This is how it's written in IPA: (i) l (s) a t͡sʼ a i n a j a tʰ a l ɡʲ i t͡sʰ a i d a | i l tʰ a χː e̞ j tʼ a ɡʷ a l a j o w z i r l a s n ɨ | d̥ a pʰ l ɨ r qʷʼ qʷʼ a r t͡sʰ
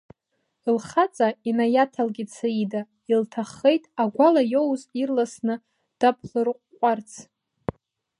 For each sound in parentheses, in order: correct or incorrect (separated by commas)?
correct, incorrect